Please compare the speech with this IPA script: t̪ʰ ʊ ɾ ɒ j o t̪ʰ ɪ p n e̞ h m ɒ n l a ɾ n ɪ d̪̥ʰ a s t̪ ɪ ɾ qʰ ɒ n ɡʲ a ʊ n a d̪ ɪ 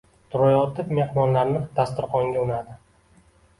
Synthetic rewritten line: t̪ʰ ʊ ɾ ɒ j ɒ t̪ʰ ɪ p m e̞ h m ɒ n l a ɾ n ɪ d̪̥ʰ a s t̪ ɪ ɾ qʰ ɒ ŋ ɡʲ a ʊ n a d̪ ɪ